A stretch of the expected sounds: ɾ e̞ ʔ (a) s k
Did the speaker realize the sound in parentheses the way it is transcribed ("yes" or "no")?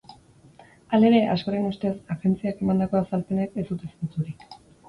yes